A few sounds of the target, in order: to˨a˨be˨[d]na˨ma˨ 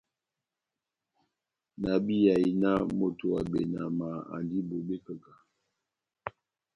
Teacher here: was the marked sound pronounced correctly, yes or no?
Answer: no